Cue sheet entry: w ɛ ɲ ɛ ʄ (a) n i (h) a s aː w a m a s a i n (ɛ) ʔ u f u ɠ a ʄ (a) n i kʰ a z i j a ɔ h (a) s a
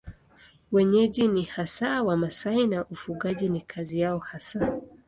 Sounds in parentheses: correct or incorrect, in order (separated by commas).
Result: incorrect, correct, incorrect, incorrect, correct